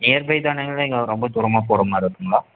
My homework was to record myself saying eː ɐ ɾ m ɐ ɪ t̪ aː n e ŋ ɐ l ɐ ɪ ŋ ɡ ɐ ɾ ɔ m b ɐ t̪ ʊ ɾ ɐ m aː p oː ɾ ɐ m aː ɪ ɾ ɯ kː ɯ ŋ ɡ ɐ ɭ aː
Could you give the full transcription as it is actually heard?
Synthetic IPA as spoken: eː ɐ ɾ b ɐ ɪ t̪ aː n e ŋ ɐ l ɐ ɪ ŋ ɡ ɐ ɾ ɔ m b ɐ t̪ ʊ ɾ ɐ m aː p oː ɾ ɐ m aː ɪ ɾ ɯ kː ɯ ŋ ɡ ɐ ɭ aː